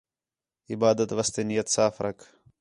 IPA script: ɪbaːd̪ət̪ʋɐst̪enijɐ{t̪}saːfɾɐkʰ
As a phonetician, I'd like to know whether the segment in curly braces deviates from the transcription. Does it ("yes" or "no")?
no